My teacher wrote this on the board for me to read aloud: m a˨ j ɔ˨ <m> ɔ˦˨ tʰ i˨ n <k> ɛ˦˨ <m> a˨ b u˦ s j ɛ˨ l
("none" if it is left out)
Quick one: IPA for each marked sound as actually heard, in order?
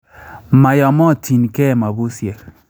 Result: m, k, m

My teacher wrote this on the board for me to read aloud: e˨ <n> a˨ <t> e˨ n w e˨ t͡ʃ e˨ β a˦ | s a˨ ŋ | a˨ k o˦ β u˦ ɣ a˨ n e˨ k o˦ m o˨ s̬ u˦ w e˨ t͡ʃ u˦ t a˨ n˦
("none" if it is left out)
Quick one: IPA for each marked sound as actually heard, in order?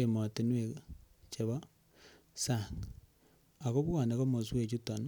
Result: m, t

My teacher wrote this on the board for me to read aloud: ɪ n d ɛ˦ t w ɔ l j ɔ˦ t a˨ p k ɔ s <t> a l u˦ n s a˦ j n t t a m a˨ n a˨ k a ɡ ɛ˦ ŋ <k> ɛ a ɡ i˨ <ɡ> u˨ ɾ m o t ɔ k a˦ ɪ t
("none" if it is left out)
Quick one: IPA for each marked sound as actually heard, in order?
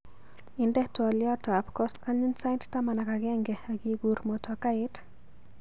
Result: k, ɡ, ɡ

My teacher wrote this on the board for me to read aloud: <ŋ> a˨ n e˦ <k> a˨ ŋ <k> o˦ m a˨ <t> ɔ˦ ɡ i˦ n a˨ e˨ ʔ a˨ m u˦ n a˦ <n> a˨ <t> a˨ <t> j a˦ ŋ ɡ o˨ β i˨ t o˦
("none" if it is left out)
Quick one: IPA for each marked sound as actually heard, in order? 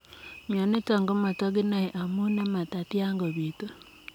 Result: ɲ, t, ɡ, t, m, t, t

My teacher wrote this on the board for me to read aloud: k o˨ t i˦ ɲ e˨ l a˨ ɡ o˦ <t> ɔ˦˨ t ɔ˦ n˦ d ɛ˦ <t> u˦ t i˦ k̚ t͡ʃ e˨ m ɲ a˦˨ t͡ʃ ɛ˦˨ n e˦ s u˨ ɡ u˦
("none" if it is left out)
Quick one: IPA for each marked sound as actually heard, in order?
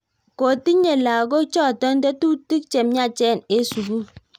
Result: t͡ʃ, t

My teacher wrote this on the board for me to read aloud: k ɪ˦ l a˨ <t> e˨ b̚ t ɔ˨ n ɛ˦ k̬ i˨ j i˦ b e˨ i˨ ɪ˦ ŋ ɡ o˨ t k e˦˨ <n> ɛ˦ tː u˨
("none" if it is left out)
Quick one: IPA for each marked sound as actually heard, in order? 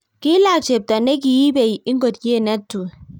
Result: t͡ʃ, n

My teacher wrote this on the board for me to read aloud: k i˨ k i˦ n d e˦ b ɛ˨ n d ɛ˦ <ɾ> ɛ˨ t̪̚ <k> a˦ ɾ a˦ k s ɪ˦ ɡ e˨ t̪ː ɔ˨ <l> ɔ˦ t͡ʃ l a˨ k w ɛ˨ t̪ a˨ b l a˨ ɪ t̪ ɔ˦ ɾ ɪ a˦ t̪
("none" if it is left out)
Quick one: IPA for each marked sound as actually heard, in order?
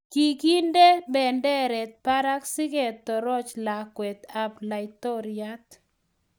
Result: ɾ, p, ɾ

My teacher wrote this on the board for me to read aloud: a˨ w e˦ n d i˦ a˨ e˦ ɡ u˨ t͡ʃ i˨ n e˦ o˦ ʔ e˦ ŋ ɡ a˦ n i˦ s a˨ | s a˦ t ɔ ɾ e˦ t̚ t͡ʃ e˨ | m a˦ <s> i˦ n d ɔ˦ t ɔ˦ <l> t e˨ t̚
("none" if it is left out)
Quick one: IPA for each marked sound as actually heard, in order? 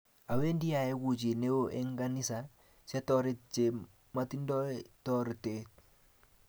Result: t, ɾ

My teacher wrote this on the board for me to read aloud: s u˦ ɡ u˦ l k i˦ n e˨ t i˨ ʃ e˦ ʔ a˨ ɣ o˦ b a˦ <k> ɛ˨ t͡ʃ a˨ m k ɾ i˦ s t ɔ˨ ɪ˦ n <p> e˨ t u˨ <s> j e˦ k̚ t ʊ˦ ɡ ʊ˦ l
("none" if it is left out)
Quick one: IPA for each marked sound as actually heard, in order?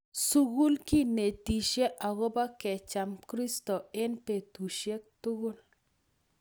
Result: k, p, ʃ

